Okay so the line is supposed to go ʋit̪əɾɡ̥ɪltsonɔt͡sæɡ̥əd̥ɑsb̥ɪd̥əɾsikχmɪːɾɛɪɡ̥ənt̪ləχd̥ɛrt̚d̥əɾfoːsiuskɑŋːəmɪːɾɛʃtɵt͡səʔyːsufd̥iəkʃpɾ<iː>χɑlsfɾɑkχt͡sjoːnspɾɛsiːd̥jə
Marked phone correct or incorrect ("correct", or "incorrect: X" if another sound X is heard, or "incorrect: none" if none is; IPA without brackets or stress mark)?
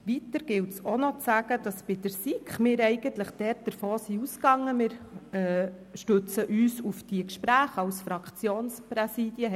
incorrect: æː